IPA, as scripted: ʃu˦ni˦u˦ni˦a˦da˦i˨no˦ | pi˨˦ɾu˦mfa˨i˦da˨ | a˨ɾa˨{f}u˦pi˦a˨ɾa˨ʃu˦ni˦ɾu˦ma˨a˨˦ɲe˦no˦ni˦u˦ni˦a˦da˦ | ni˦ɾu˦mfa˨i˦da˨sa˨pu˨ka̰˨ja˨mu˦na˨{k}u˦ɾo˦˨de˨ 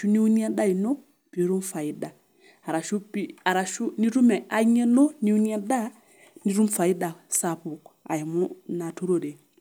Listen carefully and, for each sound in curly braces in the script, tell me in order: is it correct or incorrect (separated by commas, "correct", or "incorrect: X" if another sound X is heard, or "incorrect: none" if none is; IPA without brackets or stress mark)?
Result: incorrect: ʃ, incorrect: t